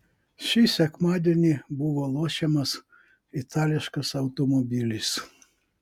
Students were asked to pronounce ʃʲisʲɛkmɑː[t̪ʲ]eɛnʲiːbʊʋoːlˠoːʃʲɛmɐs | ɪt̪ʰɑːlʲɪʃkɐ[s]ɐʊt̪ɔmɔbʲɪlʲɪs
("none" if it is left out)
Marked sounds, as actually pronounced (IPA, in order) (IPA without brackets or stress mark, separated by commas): d̪ʲ, s